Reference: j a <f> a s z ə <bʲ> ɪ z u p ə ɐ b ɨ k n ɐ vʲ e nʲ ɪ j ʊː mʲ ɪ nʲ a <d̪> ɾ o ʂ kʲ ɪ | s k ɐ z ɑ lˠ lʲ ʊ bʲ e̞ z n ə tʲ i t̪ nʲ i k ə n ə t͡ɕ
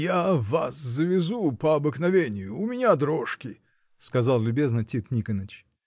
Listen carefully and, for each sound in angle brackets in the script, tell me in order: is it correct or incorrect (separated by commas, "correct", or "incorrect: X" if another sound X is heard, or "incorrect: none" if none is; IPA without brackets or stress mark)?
incorrect: v, incorrect: vʲ, correct